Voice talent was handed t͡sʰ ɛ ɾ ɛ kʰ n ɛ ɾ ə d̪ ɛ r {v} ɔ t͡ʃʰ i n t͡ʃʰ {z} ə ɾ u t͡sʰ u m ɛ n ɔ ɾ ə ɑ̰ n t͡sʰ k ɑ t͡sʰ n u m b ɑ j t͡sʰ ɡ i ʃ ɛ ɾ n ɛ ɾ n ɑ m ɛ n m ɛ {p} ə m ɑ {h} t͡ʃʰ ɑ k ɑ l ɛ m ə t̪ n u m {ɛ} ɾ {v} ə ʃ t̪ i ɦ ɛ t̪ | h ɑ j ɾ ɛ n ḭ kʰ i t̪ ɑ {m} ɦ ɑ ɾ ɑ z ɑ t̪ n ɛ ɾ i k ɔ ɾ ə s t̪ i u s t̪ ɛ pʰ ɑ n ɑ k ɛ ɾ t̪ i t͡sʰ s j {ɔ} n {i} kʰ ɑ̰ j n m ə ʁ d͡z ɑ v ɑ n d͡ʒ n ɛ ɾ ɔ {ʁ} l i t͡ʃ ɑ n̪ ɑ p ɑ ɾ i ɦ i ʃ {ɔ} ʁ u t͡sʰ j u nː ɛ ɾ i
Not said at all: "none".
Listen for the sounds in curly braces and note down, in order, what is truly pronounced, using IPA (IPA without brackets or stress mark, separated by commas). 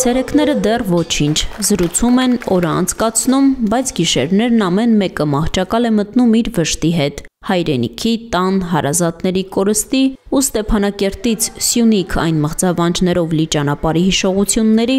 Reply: v, z, k, h, i, v, n, u, i, v, ɔ